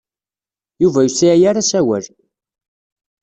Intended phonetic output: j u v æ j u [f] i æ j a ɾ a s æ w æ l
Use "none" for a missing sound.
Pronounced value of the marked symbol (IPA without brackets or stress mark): s